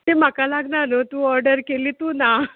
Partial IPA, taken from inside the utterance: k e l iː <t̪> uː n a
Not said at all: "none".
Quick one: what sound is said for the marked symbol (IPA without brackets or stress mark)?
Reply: t̪